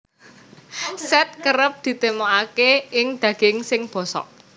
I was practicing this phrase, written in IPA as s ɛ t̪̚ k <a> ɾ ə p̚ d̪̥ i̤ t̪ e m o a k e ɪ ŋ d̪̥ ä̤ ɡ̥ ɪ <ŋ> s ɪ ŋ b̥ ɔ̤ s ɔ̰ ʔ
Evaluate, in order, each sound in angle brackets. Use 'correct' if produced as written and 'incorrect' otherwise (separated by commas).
incorrect, correct